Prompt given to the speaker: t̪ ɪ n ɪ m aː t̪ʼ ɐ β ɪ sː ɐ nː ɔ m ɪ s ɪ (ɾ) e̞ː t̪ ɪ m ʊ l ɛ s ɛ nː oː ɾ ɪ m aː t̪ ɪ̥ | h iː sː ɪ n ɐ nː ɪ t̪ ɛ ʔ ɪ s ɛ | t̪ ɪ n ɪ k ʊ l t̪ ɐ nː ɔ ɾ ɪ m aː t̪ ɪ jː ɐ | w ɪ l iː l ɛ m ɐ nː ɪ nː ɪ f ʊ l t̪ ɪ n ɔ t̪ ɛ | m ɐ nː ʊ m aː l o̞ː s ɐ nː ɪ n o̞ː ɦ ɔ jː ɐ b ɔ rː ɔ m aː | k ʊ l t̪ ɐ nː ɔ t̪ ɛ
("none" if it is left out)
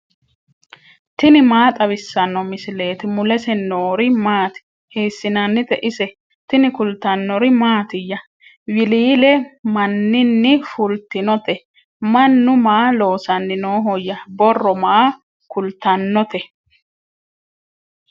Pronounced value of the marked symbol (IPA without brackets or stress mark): l